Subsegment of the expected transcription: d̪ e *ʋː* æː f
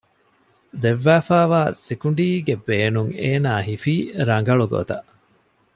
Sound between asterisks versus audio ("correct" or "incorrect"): correct